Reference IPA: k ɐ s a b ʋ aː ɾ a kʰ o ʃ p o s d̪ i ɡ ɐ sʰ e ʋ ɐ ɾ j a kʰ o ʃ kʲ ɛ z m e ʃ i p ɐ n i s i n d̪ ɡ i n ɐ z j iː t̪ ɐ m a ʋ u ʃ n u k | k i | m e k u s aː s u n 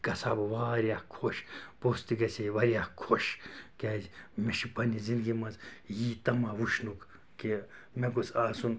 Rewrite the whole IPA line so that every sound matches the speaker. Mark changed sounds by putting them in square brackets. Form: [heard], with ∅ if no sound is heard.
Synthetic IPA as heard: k ɐ s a b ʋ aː ɾ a kʰ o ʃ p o s [t̪] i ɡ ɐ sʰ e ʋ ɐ ɾ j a kʰ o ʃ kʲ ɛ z m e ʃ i p ɐ n i [z] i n d̪ ɡ i [m] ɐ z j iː t̪ ɐ m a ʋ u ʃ n u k | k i | m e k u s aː s u n